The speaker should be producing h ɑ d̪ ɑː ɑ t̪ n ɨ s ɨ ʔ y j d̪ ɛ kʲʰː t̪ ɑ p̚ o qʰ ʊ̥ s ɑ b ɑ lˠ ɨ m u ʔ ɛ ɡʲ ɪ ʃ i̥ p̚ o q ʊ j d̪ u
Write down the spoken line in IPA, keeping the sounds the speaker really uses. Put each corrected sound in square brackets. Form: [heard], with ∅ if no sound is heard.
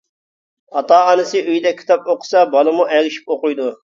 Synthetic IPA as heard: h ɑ [t̪] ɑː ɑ [∅] n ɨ s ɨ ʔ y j d̪ ɛ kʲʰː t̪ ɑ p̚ o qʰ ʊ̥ s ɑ b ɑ lˠ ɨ m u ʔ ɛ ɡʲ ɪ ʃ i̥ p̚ o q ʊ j d̪ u